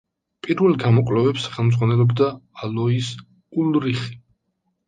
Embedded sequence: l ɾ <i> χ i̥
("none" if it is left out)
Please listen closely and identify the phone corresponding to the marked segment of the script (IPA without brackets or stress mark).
i